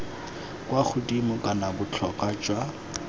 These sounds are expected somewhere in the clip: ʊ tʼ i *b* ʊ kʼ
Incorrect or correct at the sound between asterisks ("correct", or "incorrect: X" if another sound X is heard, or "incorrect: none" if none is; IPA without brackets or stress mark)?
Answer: incorrect: m